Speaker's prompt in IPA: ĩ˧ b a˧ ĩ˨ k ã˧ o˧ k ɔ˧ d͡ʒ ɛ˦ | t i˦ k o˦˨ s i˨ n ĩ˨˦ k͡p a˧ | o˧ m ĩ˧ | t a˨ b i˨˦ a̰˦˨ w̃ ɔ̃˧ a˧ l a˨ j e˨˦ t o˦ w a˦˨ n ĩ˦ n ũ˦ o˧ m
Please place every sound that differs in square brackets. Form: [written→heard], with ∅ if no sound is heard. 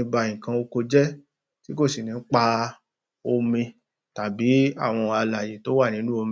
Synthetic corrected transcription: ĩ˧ b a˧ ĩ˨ k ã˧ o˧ k [ɔ˧→o˧] d͡ʒ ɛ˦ | t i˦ k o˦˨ s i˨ n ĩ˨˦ k͡p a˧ | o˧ m ĩ˧ | t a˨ b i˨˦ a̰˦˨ w̃ ɔ̃˧ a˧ l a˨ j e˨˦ t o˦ w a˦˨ n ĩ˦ n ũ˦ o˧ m